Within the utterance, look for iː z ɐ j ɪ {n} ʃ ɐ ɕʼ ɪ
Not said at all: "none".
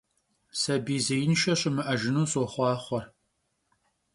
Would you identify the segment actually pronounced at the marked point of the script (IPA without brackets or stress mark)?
n